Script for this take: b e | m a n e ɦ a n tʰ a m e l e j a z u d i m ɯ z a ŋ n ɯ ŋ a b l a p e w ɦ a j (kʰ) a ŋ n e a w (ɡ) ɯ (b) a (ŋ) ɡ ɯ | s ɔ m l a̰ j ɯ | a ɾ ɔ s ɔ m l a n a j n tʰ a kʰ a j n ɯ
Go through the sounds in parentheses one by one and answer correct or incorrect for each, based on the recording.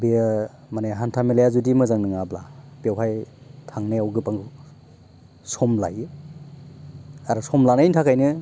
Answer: incorrect, correct, incorrect, correct

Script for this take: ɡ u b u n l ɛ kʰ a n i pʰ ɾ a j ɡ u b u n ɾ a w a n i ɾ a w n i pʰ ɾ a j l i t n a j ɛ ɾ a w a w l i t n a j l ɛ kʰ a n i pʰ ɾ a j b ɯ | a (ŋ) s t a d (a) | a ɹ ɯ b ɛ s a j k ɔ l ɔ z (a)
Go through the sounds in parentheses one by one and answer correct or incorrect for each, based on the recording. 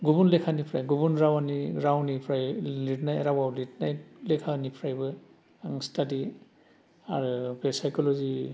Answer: correct, incorrect, incorrect

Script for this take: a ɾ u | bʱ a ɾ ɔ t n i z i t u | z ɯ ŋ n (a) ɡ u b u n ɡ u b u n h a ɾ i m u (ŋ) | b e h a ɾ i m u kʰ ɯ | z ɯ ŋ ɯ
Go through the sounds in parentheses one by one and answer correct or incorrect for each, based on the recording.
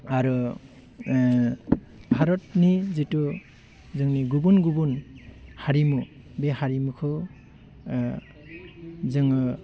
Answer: incorrect, incorrect

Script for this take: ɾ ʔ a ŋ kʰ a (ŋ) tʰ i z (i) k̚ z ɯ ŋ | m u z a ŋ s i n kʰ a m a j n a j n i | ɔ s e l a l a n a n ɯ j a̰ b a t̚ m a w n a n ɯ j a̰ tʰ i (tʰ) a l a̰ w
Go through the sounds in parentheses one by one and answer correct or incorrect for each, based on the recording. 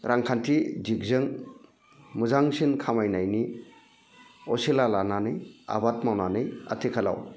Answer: incorrect, correct, incorrect

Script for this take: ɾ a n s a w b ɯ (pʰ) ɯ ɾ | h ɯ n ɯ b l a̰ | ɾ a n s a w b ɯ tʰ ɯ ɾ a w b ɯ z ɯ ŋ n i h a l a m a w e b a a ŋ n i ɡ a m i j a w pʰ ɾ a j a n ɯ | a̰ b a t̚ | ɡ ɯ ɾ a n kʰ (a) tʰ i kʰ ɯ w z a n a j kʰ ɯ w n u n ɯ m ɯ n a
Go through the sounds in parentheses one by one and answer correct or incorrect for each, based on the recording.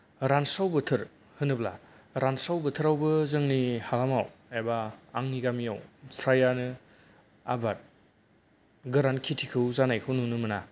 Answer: incorrect, incorrect

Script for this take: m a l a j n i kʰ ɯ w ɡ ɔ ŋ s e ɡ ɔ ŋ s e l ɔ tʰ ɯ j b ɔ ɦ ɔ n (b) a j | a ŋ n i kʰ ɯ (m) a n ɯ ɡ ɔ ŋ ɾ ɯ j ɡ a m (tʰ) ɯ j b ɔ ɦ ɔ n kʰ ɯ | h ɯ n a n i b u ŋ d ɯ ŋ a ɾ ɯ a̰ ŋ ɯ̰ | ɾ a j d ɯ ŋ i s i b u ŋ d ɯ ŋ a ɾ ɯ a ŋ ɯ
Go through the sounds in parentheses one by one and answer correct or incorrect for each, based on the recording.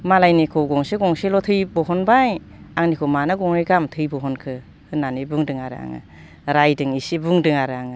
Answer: correct, correct, correct

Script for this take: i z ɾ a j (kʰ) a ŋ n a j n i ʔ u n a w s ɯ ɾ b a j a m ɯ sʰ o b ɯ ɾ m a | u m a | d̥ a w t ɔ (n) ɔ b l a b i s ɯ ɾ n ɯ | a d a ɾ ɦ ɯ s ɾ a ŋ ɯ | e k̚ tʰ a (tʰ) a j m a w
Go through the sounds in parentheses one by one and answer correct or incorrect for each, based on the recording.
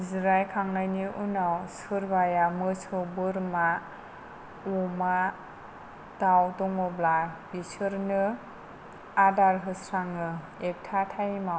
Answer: correct, incorrect, correct

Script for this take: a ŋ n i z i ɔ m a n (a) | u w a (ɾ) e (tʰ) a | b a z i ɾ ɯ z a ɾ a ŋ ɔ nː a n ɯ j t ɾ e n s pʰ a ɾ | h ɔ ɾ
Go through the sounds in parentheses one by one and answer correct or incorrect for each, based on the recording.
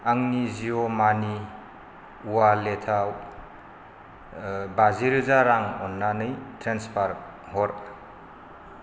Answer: incorrect, incorrect, correct

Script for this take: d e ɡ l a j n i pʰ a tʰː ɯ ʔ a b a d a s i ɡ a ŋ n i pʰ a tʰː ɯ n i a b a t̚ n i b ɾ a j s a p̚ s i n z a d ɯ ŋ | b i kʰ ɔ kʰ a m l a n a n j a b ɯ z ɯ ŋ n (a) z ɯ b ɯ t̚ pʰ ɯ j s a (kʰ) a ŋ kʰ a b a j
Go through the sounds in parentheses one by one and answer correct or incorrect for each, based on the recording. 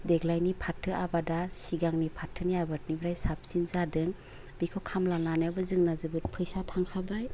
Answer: correct, incorrect

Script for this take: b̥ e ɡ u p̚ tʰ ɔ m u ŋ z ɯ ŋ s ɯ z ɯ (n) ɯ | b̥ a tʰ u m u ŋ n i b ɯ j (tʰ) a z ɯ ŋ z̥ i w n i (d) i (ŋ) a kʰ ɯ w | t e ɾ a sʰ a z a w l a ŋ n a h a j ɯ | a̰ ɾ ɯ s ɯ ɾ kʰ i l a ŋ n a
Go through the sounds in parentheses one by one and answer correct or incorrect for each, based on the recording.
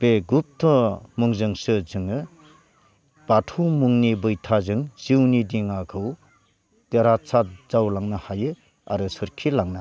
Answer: incorrect, correct, correct, correct

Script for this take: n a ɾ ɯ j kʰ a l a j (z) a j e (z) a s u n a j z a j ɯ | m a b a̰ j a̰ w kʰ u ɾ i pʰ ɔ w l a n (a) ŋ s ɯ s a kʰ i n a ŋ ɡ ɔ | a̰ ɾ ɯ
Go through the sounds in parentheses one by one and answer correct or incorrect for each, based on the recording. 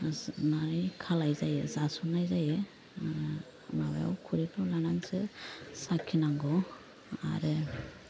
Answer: correct, correct, correct

